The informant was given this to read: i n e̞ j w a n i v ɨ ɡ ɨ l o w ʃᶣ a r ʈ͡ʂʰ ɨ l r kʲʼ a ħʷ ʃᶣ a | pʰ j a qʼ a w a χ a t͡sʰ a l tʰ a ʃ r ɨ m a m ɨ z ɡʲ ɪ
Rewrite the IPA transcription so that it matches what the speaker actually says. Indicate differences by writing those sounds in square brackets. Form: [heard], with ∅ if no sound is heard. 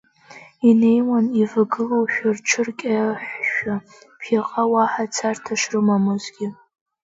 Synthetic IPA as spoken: i n e̞ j w a n i v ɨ ɡ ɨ l o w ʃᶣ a r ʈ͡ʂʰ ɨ [∅] r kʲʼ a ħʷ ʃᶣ a | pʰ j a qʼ a w a [ħ] a t͡sʰ a [r] tʰ a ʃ r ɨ m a m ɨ z ɡʲ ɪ